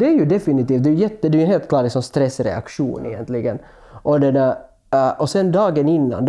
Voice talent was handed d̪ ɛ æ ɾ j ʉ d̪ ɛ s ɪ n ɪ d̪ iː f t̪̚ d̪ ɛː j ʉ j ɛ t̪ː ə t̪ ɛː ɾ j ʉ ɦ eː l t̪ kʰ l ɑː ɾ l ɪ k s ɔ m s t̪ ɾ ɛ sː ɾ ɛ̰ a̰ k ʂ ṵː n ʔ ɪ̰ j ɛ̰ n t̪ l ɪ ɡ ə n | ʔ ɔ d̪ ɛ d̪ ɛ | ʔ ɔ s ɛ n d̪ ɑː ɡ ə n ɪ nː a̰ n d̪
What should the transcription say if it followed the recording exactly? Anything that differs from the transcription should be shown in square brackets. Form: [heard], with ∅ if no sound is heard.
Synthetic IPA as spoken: d̪ ɛ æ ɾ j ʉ d̪ ɛ [f] ɪ n ɪ [t̪] iː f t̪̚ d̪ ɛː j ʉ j ɛ t̪ː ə [d̪] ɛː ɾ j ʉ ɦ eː l t̪ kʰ l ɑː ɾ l ɪ k s ɔ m s t̪ ɾ ɛ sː ɾ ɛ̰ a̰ k ʂ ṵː n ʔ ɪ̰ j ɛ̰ n t̪ l ɪ ɡ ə n | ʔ ɔ d̪ ɛ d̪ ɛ | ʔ ɔ s ɛ n d̪ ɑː ɡ ə n ɪ nː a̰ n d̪